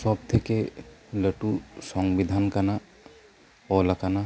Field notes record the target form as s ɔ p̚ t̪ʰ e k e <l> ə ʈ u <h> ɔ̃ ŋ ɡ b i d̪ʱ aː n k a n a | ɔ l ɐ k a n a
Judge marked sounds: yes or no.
yes, no

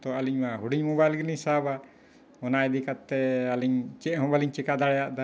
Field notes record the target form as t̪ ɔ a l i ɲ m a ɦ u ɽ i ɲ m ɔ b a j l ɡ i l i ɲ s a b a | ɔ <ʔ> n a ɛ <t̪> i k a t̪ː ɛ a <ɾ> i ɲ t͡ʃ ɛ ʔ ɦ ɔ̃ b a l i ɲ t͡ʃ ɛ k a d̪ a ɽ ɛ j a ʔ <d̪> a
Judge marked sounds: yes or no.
no, no, no, yes

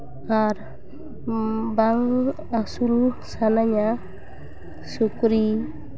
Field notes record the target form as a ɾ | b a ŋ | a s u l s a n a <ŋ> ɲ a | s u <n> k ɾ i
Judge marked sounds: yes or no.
no, no

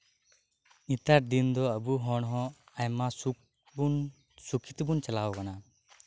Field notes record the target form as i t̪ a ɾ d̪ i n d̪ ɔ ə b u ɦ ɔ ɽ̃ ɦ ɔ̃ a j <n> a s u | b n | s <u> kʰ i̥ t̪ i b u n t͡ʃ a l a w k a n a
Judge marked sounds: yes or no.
no, yes

